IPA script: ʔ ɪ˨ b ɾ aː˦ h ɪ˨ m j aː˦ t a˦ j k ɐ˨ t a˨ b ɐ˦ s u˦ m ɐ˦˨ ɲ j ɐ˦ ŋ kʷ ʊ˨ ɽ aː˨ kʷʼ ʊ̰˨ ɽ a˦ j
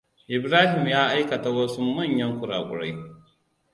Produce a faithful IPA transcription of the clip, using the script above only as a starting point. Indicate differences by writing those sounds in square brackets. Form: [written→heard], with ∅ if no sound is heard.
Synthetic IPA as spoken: ʔ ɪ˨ b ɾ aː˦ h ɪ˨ m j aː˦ [t→ʔ] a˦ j k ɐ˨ t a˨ [b→w] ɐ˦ s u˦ m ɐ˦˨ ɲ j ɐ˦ ŋ kʷ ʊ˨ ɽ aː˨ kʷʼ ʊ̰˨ ɽ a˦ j